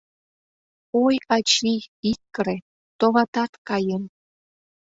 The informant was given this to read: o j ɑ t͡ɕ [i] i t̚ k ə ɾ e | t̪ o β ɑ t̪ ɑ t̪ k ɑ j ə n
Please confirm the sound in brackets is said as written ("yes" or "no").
yes